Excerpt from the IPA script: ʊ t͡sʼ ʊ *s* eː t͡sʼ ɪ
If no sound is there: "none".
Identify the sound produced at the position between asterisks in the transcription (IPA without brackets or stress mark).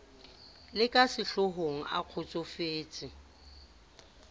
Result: f